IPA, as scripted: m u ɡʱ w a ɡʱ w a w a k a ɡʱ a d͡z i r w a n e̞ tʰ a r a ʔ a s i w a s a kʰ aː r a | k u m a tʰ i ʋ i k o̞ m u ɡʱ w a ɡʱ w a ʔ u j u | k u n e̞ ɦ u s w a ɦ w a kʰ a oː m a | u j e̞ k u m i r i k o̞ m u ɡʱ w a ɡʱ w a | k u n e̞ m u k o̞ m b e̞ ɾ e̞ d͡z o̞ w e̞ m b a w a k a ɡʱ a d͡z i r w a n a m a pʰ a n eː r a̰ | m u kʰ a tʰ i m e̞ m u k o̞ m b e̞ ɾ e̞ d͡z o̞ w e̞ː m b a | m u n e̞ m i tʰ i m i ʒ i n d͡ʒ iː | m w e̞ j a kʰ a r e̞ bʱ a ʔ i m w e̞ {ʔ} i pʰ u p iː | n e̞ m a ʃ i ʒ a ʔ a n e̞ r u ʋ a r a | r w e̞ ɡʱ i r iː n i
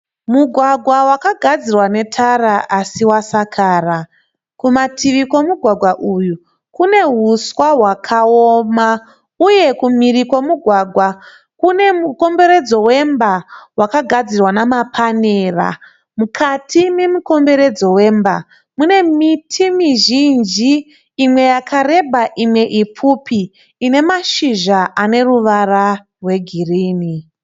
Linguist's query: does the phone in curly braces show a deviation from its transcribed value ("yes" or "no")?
no